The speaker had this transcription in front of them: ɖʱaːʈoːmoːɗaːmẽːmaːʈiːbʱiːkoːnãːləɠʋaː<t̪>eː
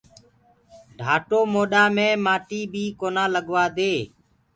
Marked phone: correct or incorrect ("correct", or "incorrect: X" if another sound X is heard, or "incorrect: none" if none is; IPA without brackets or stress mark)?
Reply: incorrect: d̪